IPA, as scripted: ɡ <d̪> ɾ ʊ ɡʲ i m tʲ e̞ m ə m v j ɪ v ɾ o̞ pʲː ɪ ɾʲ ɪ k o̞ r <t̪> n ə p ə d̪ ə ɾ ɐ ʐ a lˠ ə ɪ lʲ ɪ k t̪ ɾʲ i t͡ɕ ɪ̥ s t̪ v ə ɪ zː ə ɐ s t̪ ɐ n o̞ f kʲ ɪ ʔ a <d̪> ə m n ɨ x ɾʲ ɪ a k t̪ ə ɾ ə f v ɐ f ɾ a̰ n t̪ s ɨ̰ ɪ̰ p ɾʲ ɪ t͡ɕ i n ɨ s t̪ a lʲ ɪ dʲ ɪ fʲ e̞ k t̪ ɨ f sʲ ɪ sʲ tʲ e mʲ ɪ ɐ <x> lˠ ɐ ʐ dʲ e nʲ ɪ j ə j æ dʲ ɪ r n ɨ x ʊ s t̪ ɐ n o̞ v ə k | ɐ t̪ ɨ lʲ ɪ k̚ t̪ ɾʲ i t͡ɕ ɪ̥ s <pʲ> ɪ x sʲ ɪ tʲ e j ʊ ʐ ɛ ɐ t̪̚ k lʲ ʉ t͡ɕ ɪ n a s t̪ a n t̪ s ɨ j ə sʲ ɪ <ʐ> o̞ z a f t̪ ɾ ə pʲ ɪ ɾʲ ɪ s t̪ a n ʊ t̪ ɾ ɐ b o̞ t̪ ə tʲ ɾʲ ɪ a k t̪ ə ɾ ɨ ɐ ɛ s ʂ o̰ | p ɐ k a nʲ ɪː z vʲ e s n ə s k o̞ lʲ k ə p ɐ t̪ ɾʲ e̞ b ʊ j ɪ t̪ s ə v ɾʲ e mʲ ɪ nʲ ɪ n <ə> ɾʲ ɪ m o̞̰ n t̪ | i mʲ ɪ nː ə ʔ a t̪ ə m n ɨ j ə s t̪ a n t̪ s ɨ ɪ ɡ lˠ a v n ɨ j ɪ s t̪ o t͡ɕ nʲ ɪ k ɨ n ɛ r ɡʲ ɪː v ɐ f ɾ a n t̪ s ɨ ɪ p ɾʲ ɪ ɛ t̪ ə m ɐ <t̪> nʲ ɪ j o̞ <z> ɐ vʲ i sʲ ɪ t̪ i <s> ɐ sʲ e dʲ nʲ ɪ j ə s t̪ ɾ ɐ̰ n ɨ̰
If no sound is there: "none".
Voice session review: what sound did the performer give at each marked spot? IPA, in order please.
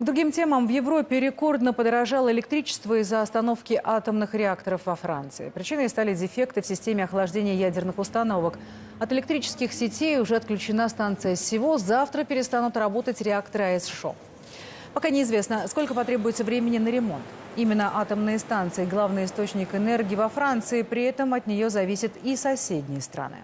d̪, d̪, t̪, x, kʲ, v, ə, t̪, z, s

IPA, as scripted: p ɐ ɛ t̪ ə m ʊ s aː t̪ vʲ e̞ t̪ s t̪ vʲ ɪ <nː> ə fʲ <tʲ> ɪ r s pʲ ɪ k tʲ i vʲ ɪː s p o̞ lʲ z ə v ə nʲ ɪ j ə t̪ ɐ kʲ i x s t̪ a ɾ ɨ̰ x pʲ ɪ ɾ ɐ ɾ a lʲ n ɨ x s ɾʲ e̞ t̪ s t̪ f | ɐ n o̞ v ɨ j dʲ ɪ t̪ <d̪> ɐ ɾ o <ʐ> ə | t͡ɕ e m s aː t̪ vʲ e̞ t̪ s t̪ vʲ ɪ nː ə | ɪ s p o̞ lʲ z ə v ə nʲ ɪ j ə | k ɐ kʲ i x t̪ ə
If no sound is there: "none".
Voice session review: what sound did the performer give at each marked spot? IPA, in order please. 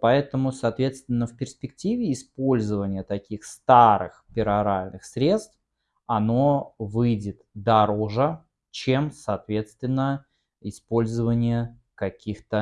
nː, pʲ, d̪, ʐ

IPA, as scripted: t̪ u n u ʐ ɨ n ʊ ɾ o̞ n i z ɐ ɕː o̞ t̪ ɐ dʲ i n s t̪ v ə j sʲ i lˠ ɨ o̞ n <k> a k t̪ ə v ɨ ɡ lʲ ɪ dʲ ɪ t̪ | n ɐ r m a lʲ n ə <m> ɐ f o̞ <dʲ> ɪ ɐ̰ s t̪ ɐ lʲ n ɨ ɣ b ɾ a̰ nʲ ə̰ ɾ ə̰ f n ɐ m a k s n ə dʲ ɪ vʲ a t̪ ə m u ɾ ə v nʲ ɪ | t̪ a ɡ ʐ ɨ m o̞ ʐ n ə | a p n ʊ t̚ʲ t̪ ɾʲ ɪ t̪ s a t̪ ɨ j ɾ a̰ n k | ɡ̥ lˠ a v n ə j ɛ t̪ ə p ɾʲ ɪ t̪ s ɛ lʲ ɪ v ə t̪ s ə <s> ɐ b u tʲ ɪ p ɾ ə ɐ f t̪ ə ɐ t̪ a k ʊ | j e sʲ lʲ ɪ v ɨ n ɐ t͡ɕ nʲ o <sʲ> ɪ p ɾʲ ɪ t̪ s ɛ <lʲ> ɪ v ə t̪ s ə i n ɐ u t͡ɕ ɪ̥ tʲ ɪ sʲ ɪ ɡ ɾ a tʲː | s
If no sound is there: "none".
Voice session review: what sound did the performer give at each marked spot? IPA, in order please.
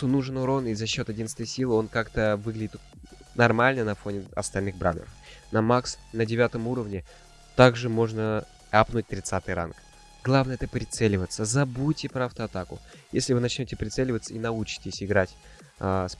k, n, nʲ, z, tʲ, lʲ

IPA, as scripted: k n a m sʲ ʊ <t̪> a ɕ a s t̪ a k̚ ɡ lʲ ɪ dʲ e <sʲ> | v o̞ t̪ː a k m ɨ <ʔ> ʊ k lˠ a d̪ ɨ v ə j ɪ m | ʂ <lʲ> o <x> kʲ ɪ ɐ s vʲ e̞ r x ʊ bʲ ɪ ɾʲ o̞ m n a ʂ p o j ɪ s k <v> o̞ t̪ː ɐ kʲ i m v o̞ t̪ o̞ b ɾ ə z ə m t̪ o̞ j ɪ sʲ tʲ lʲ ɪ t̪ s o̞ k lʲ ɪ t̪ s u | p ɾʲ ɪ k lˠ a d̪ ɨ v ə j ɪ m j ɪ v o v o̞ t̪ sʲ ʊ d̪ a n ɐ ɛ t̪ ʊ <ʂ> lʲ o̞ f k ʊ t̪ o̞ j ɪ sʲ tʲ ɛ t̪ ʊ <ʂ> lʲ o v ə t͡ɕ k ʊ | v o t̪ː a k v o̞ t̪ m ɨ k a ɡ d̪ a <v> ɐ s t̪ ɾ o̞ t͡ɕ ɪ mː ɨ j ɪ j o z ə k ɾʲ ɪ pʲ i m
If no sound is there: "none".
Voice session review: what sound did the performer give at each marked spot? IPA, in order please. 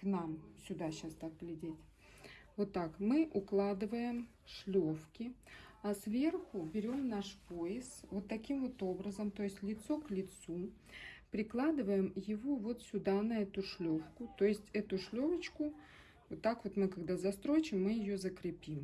d̪, tʲ, ʔ, lʲ, f, v, ʂ, ʂ, z

